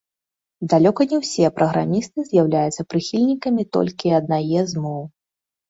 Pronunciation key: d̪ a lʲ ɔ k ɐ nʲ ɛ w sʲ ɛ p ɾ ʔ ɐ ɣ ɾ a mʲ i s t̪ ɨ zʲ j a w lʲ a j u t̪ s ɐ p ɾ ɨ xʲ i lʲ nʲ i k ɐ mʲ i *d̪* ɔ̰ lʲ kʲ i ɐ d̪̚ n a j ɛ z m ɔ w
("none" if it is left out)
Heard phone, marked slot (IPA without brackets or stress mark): t̪